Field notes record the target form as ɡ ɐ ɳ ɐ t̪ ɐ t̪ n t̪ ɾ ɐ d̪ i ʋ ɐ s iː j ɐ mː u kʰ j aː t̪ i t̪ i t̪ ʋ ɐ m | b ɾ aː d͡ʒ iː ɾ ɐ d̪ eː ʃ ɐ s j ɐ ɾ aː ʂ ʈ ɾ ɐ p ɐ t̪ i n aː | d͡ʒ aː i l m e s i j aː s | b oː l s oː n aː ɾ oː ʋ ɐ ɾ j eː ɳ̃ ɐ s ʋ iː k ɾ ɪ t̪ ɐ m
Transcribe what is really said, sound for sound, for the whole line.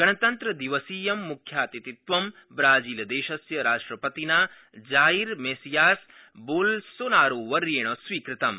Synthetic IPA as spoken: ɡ ɐ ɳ ɐ t̪ ɐ n t̪ ɾ ɐ d̪ i ʋ ɐ s iː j ɐ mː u kʰ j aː t̪ i t̪ i t̪ ʋ ɐ m | b ɾ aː d͡ʒ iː l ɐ d̪ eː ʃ ɐ s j ɐ ɾ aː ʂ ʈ ɾ ɐ p ɐ t̪ i n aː | d͡ʒ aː i ɾ m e s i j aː s | b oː l s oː n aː ɾ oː ʋ ɐ ɾ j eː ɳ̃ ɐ s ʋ iː k ɾ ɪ t̪ ɐ m